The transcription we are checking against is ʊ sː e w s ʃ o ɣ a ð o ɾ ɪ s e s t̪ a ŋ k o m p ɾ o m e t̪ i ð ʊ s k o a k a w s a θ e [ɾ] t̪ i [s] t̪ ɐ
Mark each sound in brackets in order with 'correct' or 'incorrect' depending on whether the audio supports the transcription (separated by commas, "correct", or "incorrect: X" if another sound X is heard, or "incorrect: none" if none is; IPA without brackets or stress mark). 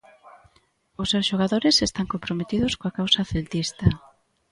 incorrect: l, correct